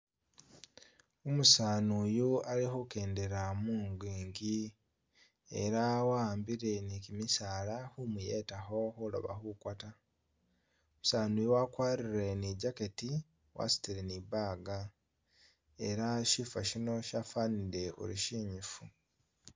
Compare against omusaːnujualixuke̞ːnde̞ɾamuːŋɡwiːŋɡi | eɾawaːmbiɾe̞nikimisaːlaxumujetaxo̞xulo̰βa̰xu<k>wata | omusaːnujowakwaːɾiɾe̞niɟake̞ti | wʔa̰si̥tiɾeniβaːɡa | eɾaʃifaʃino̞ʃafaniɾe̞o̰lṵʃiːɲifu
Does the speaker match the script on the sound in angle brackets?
yes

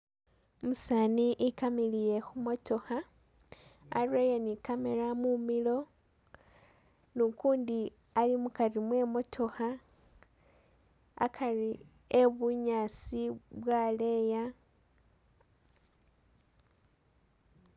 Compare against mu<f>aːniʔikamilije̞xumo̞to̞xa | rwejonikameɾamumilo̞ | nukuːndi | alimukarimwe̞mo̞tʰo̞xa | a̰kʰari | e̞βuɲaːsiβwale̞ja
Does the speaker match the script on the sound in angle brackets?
no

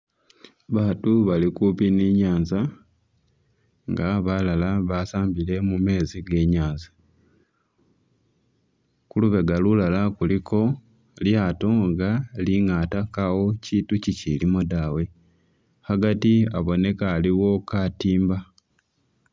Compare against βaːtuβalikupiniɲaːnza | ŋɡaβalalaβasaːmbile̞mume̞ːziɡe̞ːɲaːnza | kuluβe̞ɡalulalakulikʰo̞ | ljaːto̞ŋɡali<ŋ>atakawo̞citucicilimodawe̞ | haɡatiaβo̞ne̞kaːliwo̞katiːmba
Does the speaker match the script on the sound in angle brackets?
yes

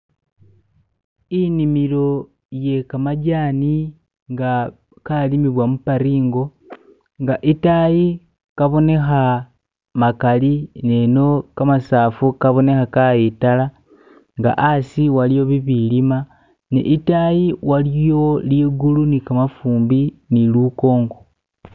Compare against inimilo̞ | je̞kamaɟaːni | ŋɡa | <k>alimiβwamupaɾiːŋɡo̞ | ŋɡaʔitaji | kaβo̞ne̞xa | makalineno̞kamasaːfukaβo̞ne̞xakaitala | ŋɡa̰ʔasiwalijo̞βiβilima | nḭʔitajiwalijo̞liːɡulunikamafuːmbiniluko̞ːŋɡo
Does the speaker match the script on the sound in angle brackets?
yes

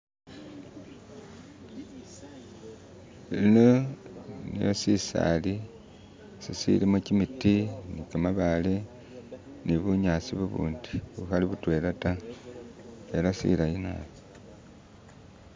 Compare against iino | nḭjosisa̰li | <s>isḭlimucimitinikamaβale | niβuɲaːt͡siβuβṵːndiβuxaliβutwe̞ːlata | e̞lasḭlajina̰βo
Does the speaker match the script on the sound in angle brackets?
yes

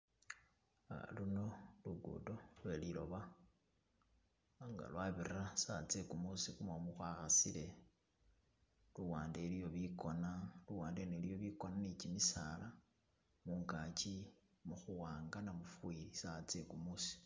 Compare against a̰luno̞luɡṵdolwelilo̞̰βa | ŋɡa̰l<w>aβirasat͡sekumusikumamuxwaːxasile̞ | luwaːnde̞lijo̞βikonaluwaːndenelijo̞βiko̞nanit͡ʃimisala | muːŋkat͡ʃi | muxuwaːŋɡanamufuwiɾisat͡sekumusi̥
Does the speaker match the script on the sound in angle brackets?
yes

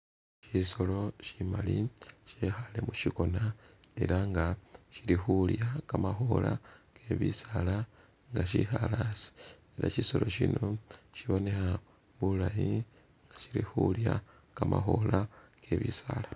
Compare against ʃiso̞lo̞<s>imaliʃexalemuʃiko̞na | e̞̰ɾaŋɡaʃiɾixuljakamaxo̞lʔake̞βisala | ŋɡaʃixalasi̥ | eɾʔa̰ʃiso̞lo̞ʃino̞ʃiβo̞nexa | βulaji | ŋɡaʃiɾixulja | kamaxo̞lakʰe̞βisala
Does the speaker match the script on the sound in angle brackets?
no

